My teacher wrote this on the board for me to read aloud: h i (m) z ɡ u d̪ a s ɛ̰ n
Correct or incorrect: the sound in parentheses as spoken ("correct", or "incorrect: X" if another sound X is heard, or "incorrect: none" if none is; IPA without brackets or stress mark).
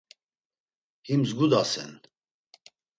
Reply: correct